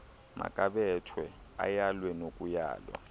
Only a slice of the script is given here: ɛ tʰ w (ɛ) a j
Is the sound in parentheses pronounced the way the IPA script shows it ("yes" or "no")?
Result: yes